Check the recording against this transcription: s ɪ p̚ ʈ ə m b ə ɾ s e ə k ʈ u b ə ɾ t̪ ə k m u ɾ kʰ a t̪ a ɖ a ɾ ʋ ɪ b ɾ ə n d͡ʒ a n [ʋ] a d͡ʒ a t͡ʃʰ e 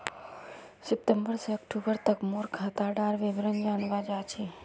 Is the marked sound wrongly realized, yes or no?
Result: no